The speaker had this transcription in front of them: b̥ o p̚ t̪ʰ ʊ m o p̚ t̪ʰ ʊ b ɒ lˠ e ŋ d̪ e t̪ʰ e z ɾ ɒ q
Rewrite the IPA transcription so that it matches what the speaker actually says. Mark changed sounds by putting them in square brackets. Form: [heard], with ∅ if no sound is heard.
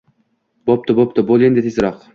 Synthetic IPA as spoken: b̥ o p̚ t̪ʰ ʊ [b] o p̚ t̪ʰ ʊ b [o] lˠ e [n] d̪ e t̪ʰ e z ɾ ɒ q